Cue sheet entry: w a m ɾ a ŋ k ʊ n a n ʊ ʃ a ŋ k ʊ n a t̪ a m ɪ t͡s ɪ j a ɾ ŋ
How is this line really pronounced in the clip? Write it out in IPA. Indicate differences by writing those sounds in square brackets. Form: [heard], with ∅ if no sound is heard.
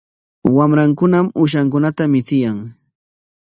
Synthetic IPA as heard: w a m ɾ a ŋ k ʊ n a [m] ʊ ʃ a ŋ k ʊ n a t̪ a m ɪ t͡s ɪ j a [∅] ŋ